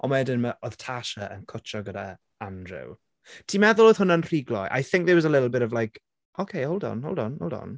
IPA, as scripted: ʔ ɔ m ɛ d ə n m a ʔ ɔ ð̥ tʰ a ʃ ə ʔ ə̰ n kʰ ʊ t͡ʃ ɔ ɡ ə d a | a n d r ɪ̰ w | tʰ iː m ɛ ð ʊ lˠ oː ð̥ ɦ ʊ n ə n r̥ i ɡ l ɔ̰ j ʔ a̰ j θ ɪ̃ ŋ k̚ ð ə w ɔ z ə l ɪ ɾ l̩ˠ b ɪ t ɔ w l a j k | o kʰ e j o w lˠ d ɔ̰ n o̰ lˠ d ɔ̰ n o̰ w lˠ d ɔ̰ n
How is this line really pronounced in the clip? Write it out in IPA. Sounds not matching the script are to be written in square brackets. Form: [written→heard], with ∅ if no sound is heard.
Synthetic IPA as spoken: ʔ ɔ m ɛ d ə n m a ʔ ɔ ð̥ tʰ a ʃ ə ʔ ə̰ n kʰ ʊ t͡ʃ ɔ ɡ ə d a | a n d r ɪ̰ w | tʰ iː m ɛ ð ʊ lˠ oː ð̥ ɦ ʊ n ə n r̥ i ɡ l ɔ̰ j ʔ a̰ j θ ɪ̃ ŋ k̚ ð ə w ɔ z ə l ɪ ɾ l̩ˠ b ɪ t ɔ [w→v] l a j k | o kʰ e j o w lˠ d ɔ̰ n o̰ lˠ d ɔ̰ n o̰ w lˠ d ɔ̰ n